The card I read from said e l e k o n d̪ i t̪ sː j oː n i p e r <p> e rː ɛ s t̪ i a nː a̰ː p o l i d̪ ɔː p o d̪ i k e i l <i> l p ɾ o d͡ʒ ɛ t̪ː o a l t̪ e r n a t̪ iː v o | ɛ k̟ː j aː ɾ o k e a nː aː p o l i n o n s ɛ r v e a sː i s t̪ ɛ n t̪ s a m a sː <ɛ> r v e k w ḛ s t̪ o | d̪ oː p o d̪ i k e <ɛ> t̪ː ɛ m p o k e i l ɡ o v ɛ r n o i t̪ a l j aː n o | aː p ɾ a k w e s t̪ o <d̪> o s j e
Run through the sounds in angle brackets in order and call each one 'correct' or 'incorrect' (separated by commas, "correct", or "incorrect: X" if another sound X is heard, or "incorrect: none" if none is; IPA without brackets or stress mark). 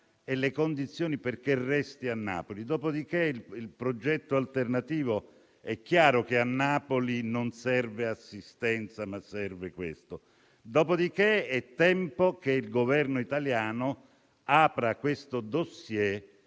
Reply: incorrect: k, correct, correct, correct, correct